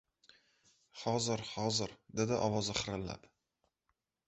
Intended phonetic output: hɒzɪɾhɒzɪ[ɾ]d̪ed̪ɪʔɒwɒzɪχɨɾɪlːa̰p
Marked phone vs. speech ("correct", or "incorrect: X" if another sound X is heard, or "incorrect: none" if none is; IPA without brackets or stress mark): correct